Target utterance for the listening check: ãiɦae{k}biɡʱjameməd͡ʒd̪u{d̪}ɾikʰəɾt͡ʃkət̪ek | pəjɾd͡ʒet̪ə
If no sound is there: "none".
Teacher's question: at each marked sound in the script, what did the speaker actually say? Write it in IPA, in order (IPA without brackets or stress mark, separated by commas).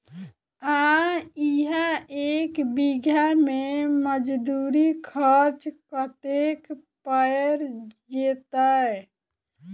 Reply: k, none